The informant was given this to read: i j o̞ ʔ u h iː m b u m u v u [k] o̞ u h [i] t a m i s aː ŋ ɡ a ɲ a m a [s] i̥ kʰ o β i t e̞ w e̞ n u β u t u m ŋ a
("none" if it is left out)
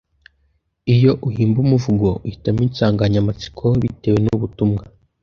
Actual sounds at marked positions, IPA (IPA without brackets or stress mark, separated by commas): ɡ, i, t͡s